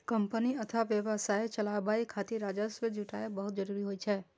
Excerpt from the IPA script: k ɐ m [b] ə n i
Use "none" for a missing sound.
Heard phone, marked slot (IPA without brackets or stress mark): p